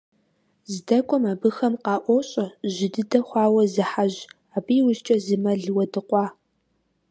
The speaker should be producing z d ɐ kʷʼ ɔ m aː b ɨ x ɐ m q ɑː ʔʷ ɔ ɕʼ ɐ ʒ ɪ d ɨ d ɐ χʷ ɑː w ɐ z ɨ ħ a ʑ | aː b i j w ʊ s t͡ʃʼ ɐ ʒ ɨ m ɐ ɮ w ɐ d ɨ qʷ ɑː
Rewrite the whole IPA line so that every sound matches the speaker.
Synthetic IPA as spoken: z d ɐ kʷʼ ɔ m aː b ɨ x ɐ m q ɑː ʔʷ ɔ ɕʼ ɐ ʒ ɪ d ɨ d ɐ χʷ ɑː w ɐ z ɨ ħ a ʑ | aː b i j w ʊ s t͡ʃʼ ɐ z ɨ m ɐ ɮ w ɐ d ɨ qʷ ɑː